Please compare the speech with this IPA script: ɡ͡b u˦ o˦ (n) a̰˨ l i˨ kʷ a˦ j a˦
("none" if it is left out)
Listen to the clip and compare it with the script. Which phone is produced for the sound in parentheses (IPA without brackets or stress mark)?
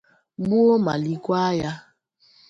m